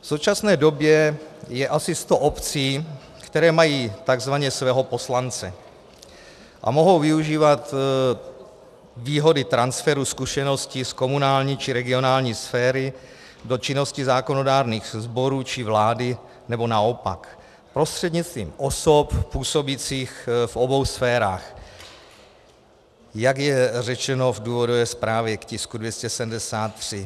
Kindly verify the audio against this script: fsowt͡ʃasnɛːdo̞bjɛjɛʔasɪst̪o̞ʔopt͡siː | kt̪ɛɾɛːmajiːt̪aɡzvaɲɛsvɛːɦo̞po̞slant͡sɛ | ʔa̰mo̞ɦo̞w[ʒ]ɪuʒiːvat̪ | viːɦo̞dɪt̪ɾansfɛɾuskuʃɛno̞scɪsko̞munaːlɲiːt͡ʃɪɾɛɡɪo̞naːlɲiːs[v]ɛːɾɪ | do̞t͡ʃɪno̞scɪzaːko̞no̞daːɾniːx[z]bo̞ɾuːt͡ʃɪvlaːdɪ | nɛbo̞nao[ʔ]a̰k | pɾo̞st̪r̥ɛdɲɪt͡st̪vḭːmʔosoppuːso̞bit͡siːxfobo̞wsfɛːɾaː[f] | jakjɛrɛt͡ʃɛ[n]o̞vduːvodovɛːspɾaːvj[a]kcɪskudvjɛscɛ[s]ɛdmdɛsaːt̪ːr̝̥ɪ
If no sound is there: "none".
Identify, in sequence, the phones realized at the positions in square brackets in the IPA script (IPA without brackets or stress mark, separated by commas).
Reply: v, f, z, p, x, n, ɛ, s